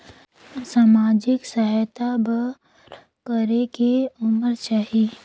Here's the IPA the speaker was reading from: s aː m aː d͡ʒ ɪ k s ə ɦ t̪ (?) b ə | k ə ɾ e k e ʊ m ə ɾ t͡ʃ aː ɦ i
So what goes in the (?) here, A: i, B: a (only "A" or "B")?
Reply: B